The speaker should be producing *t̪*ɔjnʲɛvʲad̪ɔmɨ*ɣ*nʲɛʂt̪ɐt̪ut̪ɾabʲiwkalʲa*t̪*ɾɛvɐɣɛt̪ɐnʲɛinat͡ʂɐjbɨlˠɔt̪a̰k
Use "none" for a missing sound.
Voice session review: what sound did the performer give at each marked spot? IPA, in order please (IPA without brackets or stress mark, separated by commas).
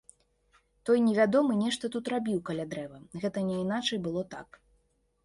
t̪, none, d̪